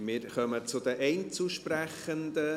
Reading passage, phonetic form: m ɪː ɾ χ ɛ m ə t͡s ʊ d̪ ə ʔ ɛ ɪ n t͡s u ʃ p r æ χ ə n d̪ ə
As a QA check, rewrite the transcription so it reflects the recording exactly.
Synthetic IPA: m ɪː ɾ χ œ m ə t͡s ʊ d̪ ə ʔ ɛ ɪ n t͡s u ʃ p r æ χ ə n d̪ ə